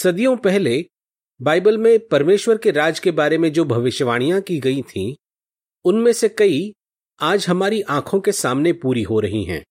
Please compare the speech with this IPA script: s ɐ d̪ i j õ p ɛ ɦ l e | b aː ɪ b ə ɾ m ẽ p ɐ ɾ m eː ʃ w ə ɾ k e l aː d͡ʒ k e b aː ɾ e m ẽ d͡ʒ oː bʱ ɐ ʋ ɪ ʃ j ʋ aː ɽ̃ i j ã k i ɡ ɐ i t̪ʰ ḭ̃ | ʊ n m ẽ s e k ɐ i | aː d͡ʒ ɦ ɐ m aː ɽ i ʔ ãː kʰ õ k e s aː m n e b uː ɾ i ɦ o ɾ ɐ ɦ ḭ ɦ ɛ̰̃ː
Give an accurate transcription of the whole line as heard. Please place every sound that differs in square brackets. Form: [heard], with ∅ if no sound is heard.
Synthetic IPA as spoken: s ɐ d̪ i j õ p ɛ ɦ l e | b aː ɪ b ə [l] m ẽ p ɐ ɾ m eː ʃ w ə ɾ k e [ɾ] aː d͡ʒ k e b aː ɾ e m ẽ d͡ʒ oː bʱ ɐ ʋ ɪ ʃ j ʋ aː ɽ̃ i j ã k i ɡ ɐ i t̪ʰ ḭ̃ | ʊ n m ẽ s e k ɐ i | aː d͡ʒ ɦ ɐ m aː [ɾ] i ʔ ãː kʰ õ k e s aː m n e [p] uː ɾ i ɦ o ɾ ɐ ɦ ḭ ɦ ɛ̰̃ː